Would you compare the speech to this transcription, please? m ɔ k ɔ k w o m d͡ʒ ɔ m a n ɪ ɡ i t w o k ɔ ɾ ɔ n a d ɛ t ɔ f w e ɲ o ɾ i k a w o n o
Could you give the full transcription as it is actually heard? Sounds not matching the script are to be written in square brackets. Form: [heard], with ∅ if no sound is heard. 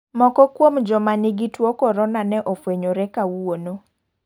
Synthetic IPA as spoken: m ɔ k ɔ k w o m d͡ʒ ɔ m a n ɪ ɡ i t w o k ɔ ɾ ɔ n a [n] ɛ [ʔ] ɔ f w e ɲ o ɾ [ɛ] k a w o n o